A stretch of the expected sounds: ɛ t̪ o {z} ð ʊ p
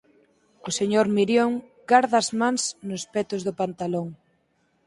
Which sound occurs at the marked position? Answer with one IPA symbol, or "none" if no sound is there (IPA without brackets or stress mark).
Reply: z